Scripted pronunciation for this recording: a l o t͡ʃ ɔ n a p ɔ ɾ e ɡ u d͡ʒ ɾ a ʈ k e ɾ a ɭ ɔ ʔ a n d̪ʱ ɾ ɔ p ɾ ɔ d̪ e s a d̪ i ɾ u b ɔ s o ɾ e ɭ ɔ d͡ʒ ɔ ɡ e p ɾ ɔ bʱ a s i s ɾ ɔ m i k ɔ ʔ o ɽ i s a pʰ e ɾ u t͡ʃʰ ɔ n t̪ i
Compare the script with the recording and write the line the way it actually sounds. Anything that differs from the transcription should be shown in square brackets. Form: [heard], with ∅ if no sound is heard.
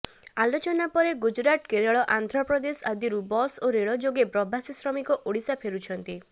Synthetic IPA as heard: a l o t͡ʃ ɔ n a p ɔ ɾ e ɡ u d͡ʒ ɾ a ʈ k e ɾ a ɭ ɔ ʔ a n d̪ʱ ɾ ɔ p ɾ ɔ d̪ e s a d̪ i ɾ u b ɔ s o ɾ e ɭ ɔ d͡ʒ [o] ɡ e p ɾ ɔ bʱ a s i s ɾ ɔ m i k ɔ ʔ o ɽ i s a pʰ e ɾ u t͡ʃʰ ɔ n t̪ i

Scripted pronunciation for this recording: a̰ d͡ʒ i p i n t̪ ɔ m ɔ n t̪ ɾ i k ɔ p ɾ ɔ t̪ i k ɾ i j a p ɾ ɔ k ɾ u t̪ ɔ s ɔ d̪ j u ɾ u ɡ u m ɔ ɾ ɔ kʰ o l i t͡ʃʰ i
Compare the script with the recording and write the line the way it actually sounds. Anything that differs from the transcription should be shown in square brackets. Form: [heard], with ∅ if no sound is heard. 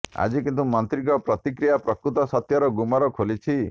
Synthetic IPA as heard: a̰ d͡ʒ i [k] i n t̪ [u] m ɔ n t̪ ɾ i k ɔ p ɾ ɔ t̪ i k ɾ i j a p ɾ ɔ k ɾ u t̪ ɔ s ɔ [t̪] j [ɔ] ɾ [ɔ] ɡ u m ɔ ɾ ɔ kʰ o l i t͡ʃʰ i

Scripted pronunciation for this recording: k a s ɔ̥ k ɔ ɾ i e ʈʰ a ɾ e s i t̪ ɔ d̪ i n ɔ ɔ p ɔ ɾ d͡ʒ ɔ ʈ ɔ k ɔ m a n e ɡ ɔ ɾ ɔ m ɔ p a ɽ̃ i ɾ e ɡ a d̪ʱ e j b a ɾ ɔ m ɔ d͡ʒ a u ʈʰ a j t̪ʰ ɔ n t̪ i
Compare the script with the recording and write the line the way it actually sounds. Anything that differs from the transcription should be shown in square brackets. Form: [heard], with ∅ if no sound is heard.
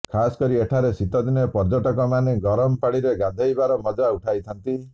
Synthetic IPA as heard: [kʰ] a s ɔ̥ k ɔ ɾ i e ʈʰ a ɾ e s i t̪ ɔ d̪ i n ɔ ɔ p ɔ ɾ d͡ʒ ɔ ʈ ɔ k ɔ m a n e ɡ ɔ ɾ ɔ m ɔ p a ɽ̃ i ɾ e ɡ a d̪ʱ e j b a ɾ ɔ m ɔ d͡ʒ a u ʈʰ a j t̪ʰ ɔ n t̪ i

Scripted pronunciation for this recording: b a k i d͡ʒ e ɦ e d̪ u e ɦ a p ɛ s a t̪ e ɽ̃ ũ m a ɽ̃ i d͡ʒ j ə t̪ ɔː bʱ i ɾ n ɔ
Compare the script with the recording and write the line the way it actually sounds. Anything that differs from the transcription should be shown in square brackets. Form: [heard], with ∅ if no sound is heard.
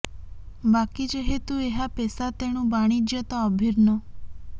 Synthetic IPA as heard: b a k i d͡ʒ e ɦ e [t̪] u e ɦ a p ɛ s a t̪ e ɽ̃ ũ [b] a ɽ̃ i d͡ʒ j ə t̪ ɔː bʱ i ɾ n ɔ

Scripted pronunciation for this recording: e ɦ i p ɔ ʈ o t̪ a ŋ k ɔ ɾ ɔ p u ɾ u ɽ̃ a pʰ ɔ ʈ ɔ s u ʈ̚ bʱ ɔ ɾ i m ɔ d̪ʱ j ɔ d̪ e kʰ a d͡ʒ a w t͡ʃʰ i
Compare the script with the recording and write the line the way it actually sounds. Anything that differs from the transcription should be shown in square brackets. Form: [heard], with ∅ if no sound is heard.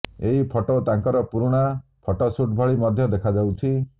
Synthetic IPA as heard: e ɦ i [pʰ] ɔ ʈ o t̪ a ŋ k ɔ ɾ ɔ p u ɾ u ɽ̃ a pʰ ɔ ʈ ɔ s u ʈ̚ bʱ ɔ [ɭ] i m ɔ d̪ʱ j ɔ d̪ e kʰ a d͡ʒ a w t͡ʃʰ i

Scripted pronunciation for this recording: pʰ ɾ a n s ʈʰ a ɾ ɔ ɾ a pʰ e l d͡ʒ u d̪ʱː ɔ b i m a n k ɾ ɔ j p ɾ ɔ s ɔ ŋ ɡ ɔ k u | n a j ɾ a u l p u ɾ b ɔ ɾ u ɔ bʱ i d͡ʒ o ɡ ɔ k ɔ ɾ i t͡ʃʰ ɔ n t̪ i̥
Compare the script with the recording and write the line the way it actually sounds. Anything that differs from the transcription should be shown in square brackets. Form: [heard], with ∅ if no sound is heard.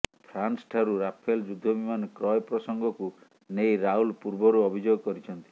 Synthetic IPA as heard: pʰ ɾ a n s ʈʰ a ɾ [u] ɾ a pʰ e l d͡ʒ u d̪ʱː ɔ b i m a n k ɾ ɔ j p ɾ ɔ s ɔ ŋ ɡ ɔ k u | n [e] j ɾ a u l p u ɾ b ɔ ɾ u ɔ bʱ i d͡ʒ o ɡ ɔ k ɔ ɾ i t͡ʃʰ ɔ n t̪ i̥

